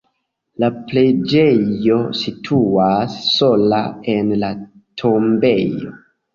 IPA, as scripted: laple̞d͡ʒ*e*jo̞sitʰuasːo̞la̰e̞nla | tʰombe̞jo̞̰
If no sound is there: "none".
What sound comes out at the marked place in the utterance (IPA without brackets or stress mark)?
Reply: e